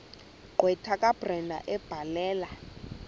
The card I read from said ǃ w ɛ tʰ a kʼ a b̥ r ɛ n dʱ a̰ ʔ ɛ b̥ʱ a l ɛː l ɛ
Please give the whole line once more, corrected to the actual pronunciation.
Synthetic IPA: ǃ w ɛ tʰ a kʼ a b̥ r ɛ n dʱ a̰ ʔ ɛ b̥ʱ a l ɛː l a